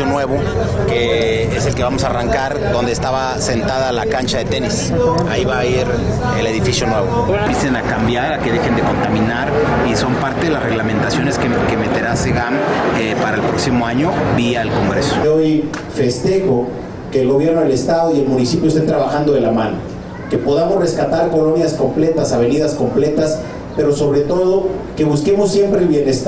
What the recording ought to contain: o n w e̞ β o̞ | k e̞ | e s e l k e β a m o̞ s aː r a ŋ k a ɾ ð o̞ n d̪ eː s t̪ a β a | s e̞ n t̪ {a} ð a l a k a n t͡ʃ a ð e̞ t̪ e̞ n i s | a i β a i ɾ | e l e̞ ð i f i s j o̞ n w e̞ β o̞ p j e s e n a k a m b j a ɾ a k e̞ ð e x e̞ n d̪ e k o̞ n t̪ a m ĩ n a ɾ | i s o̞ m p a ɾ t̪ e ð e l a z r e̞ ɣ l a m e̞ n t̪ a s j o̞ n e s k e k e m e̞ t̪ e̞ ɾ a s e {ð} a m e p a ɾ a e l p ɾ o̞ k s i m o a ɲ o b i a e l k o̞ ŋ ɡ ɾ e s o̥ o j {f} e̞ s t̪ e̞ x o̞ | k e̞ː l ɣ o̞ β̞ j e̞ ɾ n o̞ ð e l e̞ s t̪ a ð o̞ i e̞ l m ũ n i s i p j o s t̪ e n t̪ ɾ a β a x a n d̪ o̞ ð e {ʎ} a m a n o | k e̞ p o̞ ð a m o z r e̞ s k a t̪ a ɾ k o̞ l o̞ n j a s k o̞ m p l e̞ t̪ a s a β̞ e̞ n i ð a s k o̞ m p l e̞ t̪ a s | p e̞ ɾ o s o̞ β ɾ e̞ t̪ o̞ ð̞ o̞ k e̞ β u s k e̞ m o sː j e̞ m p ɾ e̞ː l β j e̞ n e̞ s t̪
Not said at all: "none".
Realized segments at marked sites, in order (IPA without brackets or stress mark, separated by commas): a, ɣ, f, l